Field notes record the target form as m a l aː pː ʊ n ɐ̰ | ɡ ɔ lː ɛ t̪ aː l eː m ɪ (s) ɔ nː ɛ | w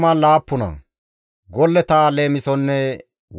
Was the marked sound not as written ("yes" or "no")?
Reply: no